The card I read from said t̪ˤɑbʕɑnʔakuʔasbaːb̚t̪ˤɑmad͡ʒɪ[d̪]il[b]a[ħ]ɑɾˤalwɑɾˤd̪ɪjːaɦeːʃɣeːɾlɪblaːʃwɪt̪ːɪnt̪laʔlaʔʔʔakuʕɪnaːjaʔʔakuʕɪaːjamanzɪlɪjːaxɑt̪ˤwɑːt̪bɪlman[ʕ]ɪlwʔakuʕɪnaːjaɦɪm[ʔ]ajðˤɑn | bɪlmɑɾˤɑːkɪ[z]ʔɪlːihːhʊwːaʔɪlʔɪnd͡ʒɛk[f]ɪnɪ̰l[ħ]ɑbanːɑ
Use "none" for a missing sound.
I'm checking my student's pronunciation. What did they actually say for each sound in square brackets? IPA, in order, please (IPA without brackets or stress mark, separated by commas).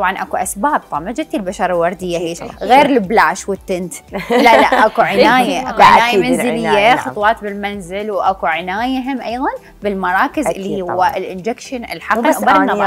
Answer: t̪, b, ʃ, z, ʔ, z, ʃ, ħ